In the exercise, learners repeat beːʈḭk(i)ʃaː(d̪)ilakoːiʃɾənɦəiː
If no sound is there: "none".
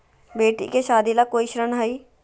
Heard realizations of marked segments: e, d̪

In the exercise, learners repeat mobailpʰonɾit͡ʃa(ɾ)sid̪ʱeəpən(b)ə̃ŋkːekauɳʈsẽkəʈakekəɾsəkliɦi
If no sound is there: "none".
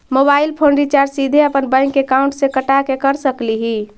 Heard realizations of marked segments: ɾ, b

